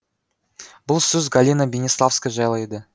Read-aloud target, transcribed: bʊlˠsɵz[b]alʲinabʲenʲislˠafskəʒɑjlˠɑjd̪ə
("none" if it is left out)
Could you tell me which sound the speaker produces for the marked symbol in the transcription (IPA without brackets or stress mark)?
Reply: ɡ